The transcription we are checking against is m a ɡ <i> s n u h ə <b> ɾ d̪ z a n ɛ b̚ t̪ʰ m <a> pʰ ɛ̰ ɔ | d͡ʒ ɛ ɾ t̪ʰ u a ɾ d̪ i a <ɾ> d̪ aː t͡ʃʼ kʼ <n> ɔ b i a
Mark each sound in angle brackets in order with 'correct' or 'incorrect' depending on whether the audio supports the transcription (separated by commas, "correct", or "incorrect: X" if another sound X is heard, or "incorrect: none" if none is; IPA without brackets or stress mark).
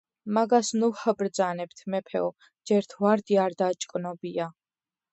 incorrect: a, correct, incorrect: ɛ, correct, correct